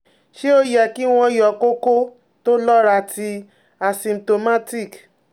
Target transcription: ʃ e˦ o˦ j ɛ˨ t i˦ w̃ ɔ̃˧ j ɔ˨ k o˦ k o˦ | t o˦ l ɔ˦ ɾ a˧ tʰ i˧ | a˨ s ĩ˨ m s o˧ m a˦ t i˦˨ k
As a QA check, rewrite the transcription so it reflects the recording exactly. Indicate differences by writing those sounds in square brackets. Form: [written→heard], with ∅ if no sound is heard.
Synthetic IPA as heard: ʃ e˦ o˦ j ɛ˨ [t→k] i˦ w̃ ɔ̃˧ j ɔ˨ k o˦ k o˦ | t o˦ l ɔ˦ ɾ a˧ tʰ i˧ | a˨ s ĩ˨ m [s→t] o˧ m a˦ t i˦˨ k